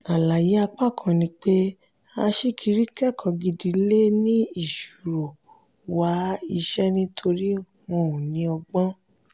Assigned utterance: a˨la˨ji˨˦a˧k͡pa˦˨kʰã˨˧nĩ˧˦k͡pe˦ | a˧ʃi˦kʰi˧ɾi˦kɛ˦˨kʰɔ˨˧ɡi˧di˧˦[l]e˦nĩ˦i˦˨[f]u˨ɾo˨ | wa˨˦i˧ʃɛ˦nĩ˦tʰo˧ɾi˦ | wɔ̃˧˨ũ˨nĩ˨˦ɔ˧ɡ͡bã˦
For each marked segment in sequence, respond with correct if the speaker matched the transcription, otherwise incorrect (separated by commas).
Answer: correct, incorrect